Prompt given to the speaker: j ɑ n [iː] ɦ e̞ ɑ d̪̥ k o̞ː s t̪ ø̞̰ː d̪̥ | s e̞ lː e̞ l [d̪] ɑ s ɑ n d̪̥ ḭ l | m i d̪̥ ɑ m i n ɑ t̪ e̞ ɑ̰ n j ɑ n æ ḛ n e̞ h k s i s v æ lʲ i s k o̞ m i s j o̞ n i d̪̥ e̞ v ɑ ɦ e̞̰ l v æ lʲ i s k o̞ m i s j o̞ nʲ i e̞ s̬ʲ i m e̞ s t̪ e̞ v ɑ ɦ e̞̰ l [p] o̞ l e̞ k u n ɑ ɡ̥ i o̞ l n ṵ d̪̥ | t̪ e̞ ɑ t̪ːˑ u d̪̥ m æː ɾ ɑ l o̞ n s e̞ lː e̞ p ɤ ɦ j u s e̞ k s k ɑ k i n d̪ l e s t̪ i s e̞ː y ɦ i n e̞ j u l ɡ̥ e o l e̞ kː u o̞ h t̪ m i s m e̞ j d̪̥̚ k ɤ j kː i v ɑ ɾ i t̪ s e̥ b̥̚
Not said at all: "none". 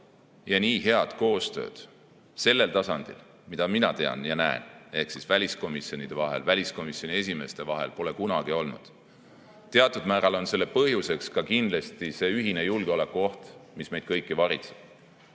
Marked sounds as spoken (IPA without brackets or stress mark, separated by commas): iː, t̪, p